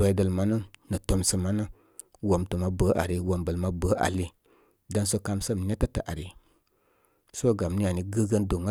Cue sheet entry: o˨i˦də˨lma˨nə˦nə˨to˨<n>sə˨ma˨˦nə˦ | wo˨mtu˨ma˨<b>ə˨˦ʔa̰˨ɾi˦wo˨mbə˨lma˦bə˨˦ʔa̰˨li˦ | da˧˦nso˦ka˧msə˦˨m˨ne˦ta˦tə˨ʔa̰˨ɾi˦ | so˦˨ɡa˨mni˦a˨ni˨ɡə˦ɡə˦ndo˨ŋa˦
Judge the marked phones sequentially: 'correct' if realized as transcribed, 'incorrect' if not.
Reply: incorrect: m, correct

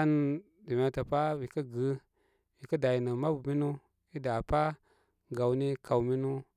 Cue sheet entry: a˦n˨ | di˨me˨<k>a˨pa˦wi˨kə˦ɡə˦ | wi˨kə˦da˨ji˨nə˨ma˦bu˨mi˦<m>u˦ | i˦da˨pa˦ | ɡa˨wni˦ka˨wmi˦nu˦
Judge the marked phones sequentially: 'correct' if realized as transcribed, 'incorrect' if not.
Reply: incorrect: t, incorrect: n

